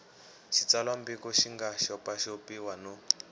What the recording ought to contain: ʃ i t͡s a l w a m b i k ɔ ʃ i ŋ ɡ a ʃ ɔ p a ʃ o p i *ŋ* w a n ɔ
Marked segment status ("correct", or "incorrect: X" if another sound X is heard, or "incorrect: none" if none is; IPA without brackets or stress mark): incorrect: none